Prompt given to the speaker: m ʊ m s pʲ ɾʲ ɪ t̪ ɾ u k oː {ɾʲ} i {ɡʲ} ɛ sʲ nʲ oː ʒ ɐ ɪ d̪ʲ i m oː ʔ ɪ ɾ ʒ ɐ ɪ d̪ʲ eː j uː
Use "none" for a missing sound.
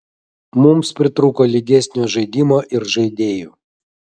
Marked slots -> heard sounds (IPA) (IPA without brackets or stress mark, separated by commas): lʲ, ɡʲ